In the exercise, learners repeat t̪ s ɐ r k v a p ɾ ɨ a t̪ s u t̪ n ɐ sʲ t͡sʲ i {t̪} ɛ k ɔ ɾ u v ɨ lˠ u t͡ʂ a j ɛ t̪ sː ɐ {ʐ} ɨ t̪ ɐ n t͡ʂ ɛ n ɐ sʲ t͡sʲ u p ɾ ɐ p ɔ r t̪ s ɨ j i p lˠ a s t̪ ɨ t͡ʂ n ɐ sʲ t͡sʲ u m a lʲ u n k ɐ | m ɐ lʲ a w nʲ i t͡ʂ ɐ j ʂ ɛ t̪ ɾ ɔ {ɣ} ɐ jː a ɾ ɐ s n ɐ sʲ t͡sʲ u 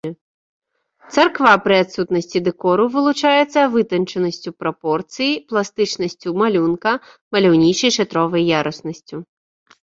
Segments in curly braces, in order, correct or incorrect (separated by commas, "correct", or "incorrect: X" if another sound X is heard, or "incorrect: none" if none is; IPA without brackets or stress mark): incorrect: d̪, incorrect: v, incorrect: v